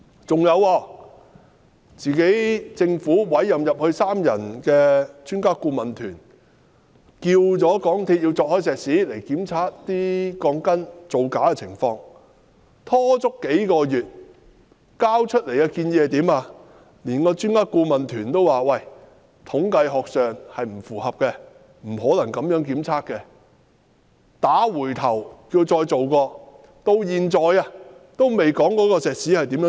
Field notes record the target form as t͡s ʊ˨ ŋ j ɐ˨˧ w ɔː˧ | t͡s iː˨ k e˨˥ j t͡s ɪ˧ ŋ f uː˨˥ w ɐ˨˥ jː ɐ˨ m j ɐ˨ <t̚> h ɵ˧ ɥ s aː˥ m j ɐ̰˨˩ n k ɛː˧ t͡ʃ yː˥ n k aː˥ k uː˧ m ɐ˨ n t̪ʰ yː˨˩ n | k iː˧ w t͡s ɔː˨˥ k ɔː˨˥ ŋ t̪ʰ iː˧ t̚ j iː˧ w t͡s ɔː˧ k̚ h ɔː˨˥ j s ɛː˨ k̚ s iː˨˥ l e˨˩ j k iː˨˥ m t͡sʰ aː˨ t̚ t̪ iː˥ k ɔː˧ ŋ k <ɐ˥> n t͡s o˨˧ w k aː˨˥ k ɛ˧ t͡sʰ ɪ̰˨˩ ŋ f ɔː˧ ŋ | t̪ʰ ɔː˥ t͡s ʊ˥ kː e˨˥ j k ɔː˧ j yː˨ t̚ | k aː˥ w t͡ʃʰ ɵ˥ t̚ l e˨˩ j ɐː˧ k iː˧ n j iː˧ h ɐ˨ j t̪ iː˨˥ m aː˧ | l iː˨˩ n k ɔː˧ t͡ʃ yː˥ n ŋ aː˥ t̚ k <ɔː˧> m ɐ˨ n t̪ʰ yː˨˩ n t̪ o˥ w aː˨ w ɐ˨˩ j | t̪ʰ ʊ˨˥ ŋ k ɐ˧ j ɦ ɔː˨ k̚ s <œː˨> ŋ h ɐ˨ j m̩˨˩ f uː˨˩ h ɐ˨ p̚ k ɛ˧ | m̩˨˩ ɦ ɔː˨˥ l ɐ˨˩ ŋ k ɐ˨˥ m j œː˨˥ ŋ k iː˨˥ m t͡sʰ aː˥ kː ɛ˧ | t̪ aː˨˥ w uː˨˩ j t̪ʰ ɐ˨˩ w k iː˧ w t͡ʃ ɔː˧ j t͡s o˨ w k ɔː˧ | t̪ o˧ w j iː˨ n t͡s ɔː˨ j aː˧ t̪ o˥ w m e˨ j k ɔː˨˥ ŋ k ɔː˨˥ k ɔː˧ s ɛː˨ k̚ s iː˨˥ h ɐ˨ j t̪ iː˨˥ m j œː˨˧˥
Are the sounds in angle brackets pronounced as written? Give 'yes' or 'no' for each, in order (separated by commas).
no, yes, no, yes